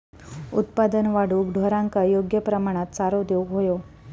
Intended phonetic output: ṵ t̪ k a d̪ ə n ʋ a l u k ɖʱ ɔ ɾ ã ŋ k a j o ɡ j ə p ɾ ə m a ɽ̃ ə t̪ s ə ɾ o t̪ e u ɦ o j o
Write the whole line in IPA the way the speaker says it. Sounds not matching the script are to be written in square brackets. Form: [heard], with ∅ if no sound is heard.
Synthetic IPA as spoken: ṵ t̪ [p] a d̪ ə n ʋ a [ɽ] u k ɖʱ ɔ ɾ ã ŋ k a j o ɡ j ə p ɾ ə m a ɽ̃ [a] t̪ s [a] ɾ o [d̪] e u ɦ o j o